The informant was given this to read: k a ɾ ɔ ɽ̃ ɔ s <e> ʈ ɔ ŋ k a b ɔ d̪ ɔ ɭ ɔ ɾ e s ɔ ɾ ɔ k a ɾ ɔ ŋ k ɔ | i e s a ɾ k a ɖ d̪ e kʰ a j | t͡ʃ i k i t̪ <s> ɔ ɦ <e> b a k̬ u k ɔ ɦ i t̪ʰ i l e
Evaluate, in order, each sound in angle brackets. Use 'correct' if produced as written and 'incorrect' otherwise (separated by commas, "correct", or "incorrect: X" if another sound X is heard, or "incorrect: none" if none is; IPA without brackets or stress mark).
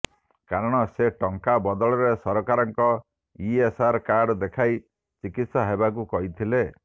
correct, correct, correct